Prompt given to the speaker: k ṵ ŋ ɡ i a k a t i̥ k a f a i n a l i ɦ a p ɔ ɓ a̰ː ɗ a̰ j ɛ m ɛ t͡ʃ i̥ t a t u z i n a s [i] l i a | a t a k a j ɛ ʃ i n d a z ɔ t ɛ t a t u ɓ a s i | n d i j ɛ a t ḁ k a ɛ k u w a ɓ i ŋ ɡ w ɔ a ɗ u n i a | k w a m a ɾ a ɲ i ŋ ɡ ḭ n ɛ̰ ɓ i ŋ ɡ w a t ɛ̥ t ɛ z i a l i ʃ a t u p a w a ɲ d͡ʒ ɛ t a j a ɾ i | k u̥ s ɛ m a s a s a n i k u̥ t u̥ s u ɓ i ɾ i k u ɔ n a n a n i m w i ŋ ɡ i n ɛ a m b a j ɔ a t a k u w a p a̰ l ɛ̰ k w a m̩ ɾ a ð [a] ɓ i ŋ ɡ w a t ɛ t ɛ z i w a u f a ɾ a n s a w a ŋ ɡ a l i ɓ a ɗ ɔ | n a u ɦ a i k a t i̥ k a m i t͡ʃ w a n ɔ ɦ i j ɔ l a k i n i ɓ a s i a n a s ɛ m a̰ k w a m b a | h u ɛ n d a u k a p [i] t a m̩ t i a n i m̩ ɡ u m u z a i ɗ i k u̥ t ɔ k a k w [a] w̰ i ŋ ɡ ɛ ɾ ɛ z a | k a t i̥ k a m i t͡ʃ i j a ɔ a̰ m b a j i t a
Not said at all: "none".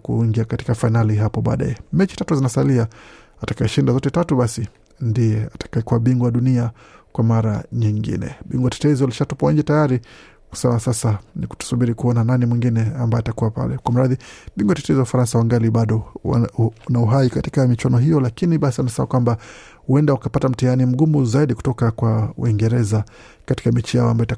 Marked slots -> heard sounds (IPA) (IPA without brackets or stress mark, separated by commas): a, i, a, a